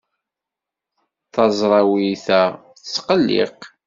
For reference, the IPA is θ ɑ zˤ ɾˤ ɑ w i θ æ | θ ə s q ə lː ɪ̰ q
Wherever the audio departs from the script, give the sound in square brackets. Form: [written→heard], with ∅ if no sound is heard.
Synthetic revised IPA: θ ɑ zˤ ɾˤ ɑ w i θ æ | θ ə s q ə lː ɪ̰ q